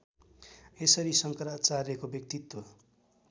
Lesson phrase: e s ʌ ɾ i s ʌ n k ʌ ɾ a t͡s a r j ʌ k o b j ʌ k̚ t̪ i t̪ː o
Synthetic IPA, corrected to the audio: e s ʌ ɾ i s ʌ ŋ k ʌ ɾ a t͡s a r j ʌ k o b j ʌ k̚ t̪ i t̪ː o